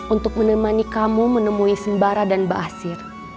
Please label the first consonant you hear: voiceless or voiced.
voiced